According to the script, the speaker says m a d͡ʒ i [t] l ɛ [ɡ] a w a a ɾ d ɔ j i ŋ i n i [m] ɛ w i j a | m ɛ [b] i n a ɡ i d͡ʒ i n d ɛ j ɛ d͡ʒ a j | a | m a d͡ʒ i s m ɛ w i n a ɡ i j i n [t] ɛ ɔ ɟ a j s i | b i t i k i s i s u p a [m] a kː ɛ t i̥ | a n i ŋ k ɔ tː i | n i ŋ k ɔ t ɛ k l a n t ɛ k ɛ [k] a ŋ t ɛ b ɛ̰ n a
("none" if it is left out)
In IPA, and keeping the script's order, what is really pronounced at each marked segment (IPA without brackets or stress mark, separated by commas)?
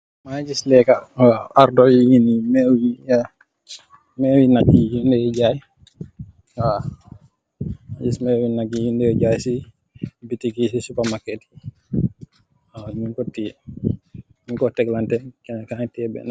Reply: s, k, m, w, d, m, k